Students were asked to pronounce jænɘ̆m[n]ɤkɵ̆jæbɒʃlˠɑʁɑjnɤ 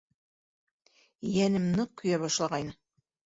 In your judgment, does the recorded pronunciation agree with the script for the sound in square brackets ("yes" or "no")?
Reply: yes